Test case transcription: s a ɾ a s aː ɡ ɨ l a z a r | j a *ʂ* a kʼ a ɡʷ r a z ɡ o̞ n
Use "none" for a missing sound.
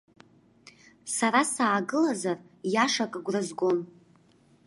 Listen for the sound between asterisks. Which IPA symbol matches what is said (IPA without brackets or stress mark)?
ʂ